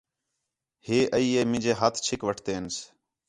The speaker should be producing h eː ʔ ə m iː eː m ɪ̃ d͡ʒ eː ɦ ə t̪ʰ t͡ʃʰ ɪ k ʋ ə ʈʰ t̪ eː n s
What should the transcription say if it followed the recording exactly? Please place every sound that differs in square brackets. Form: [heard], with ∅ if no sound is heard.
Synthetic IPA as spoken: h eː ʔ ə [∅] iː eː m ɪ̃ d͡ʒ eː ɦ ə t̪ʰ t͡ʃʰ ɪ k ʋ ə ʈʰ t̪ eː n s